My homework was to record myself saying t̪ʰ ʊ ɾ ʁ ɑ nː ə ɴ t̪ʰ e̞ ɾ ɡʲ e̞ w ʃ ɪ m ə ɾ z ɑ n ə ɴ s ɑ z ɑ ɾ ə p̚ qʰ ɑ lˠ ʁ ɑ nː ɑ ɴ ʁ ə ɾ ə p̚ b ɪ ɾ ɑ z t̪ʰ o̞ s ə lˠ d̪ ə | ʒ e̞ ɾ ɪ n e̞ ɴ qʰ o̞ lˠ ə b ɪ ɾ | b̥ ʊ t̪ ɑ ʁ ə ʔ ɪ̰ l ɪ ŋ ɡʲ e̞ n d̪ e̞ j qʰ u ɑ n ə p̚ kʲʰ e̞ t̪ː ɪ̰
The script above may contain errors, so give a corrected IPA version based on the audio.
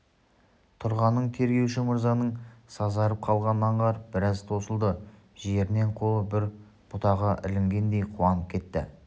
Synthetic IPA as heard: t̪ʰ ʊ ɾ ʁ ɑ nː ə ɴ t̪ʰ e̞ ɾ ɡʲ e̞ w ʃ ɪ m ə ɾ z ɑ n ə ɴ s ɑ z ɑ ɾ ə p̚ qʰ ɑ lˠ ʁ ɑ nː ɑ ɴ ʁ ɑ ɾ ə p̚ b ɪ ɾ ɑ z t̪ʰ o̞ s ə lˠ d̪ ə | ʒ e̞ ɾ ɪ n e̞ ɴ qʰ o̞ lˠ ə b ɪ ɾ | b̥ ʊ t̪ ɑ ʁ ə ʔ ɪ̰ l ɪ ŋ ɡʲ e̞ n d̪ e̞ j qʰ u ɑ n ə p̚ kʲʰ e̞ t̪ː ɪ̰